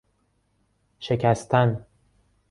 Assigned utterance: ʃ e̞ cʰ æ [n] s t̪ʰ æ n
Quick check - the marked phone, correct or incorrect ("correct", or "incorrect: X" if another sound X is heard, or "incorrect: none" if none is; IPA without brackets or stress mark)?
incorrect: none